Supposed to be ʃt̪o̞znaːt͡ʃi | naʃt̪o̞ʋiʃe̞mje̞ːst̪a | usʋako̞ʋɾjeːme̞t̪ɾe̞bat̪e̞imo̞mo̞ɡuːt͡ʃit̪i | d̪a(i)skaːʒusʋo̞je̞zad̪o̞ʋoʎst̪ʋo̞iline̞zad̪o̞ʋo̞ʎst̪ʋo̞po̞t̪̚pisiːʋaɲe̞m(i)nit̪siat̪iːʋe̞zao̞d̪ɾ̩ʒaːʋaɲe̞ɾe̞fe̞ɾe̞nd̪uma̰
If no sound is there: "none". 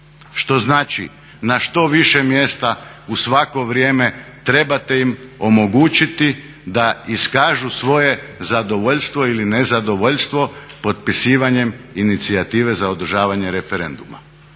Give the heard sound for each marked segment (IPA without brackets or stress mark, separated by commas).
i, i